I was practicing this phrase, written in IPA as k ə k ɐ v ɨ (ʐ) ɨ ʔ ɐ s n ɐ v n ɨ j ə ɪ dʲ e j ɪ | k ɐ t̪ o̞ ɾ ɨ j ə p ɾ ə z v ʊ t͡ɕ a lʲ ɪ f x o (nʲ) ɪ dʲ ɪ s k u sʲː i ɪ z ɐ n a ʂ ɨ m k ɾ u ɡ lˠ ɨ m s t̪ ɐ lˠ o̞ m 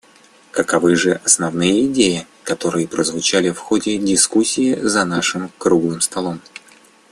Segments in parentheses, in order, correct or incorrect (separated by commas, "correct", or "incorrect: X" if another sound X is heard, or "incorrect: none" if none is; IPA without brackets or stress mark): correct, incorrect: dʲ